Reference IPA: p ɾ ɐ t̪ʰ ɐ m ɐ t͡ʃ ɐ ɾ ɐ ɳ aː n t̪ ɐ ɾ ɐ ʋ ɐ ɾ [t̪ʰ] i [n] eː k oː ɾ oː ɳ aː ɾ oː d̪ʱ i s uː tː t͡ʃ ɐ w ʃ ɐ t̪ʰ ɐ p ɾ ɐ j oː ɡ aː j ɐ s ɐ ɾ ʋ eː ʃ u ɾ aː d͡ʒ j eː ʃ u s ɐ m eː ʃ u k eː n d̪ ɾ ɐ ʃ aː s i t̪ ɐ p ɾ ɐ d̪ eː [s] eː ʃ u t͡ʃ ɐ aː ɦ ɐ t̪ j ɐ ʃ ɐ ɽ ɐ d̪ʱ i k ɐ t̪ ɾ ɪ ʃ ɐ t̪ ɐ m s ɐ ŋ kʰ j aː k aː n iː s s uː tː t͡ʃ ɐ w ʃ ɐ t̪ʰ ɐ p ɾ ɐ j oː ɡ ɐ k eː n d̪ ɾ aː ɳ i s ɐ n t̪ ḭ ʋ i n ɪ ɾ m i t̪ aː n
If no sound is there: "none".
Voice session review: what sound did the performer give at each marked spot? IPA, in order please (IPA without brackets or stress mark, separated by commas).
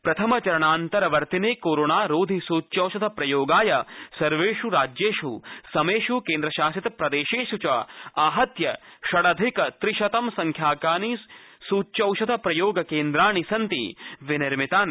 t̪, n, ʃ